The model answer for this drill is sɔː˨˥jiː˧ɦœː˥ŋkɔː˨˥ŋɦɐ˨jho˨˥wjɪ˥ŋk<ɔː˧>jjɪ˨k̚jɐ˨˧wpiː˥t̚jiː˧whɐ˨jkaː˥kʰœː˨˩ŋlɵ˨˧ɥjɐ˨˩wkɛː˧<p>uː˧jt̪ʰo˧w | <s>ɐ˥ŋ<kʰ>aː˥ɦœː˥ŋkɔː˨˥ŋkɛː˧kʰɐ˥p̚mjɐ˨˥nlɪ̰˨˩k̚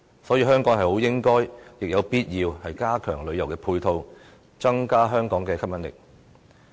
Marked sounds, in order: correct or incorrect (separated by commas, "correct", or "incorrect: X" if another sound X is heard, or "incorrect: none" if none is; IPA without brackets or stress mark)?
incorrect: ɔː˥, incorrect: pʰ, incorrect: t͡s, incorrect: k